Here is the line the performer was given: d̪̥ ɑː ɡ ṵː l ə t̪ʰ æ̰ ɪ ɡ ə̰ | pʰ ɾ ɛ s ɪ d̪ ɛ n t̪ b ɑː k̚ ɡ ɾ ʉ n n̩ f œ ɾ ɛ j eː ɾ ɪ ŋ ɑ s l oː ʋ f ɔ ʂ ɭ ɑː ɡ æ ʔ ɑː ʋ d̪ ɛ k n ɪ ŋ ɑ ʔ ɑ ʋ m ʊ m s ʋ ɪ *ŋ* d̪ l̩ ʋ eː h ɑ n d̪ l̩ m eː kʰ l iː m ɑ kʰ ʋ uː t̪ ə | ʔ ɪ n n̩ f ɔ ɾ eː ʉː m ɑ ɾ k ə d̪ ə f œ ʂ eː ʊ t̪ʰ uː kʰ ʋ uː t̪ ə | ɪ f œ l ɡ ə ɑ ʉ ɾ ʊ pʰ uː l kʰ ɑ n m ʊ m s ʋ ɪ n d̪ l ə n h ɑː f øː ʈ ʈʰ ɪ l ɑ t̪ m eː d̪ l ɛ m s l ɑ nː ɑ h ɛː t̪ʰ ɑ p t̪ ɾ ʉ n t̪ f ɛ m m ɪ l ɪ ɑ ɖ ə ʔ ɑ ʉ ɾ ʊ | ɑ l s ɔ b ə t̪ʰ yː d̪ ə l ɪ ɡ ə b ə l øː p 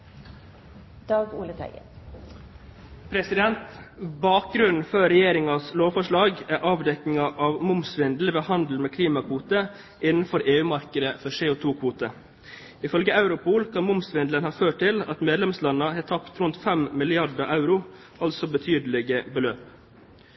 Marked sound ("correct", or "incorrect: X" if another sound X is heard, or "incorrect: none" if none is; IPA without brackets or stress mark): incorrect: n